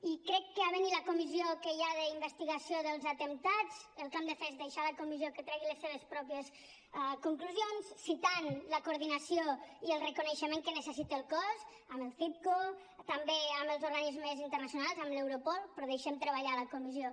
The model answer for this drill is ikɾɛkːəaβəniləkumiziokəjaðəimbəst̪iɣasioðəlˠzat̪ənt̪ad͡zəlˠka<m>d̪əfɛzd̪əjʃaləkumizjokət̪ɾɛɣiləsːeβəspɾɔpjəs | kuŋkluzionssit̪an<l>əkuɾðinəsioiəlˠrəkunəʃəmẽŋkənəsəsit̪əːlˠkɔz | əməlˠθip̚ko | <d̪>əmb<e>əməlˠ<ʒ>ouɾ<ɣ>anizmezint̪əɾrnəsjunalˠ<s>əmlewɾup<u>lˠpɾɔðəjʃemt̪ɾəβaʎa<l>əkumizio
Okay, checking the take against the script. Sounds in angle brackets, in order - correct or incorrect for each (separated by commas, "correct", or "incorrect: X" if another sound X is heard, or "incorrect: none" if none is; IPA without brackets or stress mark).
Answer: correct, correct, incorrect: t̪, correct, incorrect: z, correct, incorrect: z, incorrect: ɔ, correct